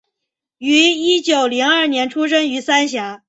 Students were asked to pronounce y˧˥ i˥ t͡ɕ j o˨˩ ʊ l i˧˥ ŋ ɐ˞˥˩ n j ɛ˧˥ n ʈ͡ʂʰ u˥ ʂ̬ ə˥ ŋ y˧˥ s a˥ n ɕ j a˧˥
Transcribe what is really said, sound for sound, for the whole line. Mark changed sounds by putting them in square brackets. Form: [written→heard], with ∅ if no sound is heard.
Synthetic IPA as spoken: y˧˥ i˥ t͡ɕ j o˨˩ ʊ l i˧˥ ŋ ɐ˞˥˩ n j ɛ˧˥ n ʈ͡ʂʰ u˥ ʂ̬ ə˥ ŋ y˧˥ s a˥ n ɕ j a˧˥